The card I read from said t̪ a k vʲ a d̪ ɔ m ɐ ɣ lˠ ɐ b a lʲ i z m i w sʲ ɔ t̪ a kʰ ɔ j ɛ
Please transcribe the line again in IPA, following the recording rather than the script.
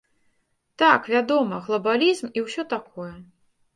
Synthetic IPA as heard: t̪ a k vʲ a d̪ ɔ m ɐ ɣ lˠ ɐ b a lʲ i z m i w sʲ ɔ t̪ a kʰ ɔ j ɛ